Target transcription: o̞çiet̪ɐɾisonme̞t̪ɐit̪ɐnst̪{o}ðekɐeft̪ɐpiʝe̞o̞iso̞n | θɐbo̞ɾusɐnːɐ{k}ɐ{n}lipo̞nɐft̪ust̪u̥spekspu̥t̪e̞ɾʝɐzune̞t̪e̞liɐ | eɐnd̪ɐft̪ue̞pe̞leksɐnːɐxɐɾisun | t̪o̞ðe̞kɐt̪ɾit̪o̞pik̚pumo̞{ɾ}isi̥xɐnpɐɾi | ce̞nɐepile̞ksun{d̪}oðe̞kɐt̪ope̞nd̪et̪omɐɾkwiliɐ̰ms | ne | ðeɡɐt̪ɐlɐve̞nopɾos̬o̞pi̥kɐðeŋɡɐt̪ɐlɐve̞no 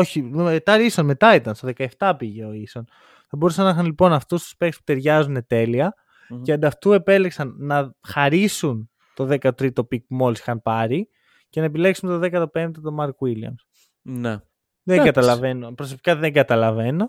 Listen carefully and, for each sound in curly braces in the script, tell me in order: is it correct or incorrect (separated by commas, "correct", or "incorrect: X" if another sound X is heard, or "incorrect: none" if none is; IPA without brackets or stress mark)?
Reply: correct, incorrect: x, correct, incorrect: l, incorrect: t̪